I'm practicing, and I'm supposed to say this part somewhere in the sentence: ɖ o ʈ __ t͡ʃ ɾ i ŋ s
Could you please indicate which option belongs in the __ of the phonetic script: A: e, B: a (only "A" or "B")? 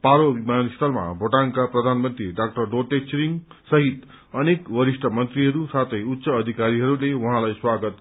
A